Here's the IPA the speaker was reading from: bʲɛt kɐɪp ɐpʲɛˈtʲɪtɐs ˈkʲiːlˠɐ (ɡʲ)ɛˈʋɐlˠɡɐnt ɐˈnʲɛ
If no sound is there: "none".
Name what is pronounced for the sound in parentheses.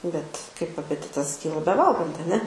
bʲ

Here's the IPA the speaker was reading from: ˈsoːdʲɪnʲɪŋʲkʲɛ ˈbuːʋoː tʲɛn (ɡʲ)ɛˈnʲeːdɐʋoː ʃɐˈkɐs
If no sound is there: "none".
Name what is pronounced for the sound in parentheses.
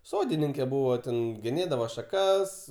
ɡʲ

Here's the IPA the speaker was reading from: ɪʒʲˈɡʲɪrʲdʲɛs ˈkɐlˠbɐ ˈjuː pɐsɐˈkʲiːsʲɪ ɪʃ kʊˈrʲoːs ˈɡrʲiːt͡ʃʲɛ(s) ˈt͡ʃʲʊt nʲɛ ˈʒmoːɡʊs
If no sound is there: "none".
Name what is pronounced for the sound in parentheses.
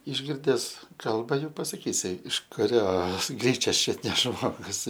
s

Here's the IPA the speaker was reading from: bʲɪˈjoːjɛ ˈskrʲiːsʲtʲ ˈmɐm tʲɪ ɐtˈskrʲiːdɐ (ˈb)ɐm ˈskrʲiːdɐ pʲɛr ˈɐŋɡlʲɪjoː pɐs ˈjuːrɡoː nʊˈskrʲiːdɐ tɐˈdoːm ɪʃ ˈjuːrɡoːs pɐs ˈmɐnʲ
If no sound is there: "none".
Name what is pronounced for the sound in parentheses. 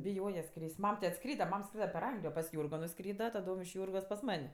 m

